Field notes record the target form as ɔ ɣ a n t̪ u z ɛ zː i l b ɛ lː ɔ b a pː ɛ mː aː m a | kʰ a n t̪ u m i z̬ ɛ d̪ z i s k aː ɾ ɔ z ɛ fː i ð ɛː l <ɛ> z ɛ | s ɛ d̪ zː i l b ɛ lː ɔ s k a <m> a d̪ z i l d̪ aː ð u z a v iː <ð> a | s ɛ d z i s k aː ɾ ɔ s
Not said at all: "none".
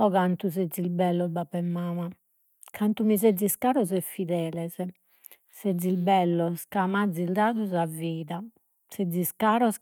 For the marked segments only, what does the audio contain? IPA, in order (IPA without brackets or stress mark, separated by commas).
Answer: ɛ, m, ð